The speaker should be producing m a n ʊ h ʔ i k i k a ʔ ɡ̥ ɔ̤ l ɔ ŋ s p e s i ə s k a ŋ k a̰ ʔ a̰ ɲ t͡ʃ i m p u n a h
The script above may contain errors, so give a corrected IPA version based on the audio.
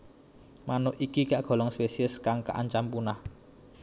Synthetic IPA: m a n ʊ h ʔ i k i k a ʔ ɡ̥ ɔ̤ l ɔ ŋ s p e s i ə s k a ŋ k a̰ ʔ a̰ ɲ t͡ʃ a m p u n a h